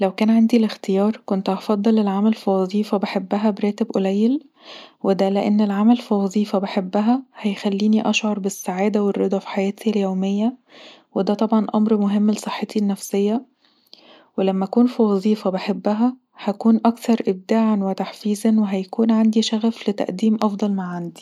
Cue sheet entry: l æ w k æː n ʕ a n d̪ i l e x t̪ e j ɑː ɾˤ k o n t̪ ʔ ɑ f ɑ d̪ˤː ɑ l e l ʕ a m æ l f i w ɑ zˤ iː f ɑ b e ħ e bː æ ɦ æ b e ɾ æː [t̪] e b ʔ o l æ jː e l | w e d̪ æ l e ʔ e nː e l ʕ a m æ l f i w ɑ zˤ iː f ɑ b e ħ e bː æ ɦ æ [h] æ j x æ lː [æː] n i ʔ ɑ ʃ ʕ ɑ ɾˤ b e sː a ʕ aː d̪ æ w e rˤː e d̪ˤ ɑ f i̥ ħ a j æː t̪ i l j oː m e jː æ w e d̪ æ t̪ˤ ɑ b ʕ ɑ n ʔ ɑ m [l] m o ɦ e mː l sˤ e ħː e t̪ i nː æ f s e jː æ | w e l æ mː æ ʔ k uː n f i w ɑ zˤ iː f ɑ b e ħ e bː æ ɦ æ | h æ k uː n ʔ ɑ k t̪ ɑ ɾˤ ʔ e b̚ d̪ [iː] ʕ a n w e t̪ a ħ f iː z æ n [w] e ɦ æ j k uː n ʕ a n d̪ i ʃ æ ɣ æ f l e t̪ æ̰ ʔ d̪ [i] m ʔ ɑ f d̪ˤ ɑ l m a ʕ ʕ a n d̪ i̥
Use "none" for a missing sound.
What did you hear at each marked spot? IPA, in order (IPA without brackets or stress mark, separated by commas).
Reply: t̪, h, iː, ɾ, aː, w, iː